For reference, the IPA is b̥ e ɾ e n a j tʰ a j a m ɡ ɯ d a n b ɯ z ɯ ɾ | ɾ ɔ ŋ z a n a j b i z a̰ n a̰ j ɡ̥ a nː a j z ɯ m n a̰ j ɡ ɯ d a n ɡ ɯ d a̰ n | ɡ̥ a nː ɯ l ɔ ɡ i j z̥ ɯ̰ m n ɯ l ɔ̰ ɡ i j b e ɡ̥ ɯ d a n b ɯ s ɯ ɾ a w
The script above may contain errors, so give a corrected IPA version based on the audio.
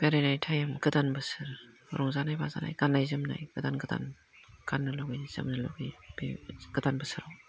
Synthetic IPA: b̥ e ɾ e n a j tʰ a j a m ɡ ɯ d a n b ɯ s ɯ ɾ | ɾ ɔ ŋ z a n a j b a z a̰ n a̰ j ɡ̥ a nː a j z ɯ m n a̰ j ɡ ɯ d a n ɡ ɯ d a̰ n | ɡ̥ a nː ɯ l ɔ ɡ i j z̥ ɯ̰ m n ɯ l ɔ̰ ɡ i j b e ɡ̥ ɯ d a n b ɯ s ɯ ɾ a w